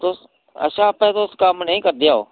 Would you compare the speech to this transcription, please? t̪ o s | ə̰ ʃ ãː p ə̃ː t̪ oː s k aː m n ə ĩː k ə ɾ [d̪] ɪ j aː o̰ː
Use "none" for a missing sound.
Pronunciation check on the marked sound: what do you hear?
d̪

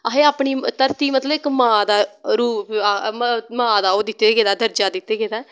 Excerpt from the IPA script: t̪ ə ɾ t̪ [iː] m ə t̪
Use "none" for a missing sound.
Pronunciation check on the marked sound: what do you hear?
iː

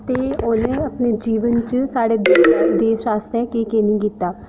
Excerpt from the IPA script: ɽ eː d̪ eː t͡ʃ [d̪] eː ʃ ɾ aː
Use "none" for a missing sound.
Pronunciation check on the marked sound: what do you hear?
d̪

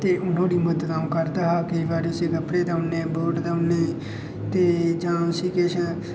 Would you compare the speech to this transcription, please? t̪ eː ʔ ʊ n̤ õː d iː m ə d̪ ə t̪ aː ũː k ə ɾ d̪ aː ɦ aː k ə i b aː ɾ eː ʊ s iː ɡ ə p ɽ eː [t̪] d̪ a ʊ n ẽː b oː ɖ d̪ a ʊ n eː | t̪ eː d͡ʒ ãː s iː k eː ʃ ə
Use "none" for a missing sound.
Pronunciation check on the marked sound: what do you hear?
none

